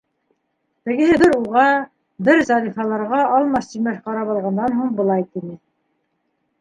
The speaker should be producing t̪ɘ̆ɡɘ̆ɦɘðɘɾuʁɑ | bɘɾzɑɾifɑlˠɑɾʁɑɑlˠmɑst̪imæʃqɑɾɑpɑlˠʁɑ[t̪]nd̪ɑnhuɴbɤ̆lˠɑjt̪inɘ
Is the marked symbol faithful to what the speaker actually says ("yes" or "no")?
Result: no